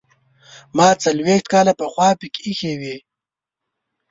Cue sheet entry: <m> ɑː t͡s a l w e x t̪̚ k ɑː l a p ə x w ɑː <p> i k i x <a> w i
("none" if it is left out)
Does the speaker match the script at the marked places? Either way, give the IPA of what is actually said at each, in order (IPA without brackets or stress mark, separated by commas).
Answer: m, p, e